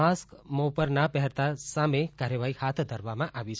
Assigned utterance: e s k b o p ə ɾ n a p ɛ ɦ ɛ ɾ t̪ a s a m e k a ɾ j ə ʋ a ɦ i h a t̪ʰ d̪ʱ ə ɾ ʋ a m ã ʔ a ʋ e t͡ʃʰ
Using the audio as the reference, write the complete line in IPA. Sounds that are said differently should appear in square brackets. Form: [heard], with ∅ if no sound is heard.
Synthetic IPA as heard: [a] s k [m] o p ə ɾ n a p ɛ ɦ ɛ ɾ t̪ a s a m e k a ɾ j ə ʋ a ɦ i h a t̪ʰ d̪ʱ ə ɾ ʋ a m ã ʔ a ʋ [i] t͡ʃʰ